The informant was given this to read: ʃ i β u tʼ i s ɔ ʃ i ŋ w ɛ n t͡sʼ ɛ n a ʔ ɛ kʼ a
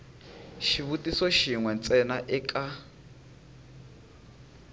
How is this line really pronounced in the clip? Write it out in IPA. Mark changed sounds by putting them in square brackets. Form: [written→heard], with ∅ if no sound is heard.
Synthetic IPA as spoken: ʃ i β u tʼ i s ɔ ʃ i ŋ w ɛ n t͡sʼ ɛ n a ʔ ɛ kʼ a